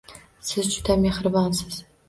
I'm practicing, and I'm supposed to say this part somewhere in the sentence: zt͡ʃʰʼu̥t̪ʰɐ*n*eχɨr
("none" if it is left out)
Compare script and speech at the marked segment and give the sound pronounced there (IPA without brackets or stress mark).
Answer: m